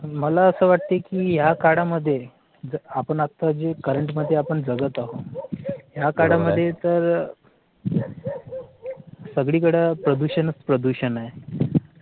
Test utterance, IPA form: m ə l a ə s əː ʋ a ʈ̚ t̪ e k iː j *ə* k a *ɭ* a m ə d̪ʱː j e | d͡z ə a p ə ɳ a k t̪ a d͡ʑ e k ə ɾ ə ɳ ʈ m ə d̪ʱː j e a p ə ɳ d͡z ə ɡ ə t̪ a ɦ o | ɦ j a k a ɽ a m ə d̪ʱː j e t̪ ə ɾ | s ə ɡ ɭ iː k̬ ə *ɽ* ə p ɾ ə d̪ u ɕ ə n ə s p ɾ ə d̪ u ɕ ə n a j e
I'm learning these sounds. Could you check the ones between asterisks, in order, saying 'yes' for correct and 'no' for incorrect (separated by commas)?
no, no, yes